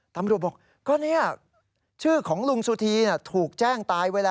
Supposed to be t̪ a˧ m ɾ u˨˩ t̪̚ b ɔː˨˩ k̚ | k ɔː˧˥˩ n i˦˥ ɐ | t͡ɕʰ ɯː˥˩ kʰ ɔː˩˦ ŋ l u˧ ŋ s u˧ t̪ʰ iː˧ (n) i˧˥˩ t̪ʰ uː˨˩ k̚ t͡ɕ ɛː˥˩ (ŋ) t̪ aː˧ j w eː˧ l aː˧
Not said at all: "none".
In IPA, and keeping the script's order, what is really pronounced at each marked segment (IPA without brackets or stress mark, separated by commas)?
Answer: n, ŋ